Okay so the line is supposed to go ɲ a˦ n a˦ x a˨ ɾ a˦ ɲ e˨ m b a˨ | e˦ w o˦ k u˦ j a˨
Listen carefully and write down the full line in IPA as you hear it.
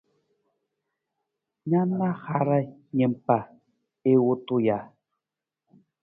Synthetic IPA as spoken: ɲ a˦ n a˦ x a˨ ɾ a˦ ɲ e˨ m p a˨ | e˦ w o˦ t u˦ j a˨